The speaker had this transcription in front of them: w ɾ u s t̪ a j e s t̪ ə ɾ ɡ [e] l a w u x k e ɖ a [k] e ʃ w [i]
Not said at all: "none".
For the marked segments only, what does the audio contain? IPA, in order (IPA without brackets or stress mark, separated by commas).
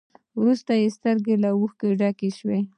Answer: e, k, e